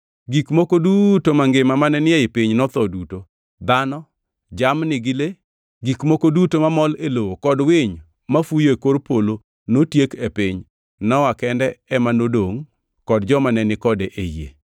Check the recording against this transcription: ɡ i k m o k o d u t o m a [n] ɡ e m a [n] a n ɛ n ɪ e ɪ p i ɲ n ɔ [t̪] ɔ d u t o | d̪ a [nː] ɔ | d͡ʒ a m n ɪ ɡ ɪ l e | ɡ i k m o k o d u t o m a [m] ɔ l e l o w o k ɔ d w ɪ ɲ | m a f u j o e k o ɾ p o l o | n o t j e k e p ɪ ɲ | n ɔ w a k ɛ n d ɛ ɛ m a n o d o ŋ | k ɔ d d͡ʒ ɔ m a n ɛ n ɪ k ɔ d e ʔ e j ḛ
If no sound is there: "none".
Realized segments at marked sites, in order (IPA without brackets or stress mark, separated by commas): ŋ, m, t̪, n, m